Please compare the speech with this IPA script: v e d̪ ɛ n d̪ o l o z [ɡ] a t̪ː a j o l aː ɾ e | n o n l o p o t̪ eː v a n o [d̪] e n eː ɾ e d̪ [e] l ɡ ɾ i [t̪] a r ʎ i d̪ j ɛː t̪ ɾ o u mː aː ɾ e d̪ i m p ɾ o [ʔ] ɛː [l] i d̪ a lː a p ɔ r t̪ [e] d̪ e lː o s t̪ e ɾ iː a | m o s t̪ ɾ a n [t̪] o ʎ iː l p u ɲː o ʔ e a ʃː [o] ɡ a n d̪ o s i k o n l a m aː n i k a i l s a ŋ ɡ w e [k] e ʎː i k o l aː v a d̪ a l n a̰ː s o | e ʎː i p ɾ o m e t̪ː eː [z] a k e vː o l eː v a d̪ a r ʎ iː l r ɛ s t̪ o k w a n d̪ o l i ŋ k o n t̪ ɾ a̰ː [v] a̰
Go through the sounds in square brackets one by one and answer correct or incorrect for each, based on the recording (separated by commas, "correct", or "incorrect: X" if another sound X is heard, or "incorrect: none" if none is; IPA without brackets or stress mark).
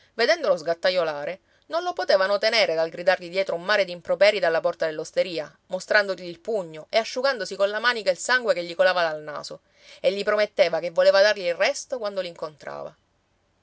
correct, incorrect: t̪, incorrect: a, incorrect: d̪, incorrect: p, incorrect: ɾ, incorrect: a, incorrect: d̪, incorrect: u, correct, incorrect: v, correct